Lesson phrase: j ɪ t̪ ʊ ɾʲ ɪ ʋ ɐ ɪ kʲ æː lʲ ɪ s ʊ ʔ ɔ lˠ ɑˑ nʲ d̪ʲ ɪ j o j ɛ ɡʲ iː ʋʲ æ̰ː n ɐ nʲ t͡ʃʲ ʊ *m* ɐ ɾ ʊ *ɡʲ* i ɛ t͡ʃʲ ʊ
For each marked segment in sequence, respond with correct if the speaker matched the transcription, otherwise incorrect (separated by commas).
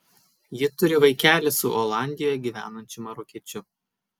correct, incorrect